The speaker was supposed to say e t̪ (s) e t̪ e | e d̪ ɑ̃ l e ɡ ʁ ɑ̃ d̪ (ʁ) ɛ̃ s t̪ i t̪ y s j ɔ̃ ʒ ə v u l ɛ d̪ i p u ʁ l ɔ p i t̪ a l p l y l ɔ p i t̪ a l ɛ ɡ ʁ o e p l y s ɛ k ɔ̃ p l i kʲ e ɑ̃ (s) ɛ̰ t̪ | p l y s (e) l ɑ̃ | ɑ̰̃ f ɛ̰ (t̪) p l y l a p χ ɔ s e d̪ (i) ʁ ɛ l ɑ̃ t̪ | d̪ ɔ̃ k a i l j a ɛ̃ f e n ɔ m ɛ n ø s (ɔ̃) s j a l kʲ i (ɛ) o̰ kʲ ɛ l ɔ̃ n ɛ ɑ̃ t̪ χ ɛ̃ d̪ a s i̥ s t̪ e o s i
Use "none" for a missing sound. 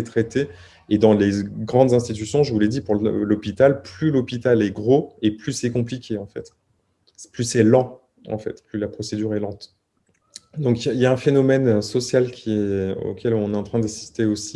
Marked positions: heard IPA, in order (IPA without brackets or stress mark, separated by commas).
χ, z, f, ɛ, t̪, y, ɔ, ɛ